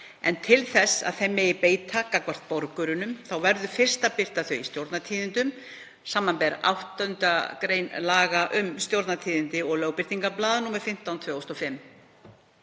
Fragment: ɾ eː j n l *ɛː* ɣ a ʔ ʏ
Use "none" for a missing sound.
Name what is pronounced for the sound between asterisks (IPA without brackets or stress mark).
aː